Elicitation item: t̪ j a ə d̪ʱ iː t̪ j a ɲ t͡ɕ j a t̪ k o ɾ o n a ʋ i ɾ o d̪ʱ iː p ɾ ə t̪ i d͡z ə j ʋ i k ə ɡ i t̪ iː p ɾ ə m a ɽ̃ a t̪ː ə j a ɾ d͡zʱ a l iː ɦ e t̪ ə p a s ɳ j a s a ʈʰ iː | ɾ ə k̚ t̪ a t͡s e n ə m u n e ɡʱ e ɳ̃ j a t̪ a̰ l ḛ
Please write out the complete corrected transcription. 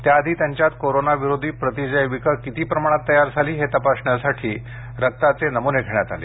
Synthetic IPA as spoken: t̪ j a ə d̪ʱ iː t̪ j a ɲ t͡ɕ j a t̪ k o ɾ o n a ʋ i ɾ o d̪ʱ iː p ɾ ə t̪ i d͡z ə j ʋ i k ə k i t̪ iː p ɾ ə m a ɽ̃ a t̪ː ə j a ɾ d͡zʱ a l iː ɦ e t̪ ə p a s ɳ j a s a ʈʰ iː | ɾ ə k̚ t̪ a t͡s e n ə m u n e ɡʱ e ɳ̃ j a t̪ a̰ l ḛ